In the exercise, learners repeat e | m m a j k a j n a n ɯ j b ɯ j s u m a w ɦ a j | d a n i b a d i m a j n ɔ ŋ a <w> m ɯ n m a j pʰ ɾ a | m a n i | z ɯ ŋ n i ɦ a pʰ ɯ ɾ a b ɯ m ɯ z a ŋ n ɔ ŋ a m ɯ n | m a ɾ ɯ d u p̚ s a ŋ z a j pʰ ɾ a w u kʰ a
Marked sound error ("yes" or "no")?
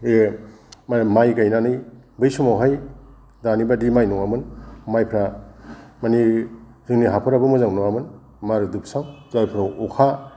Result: yes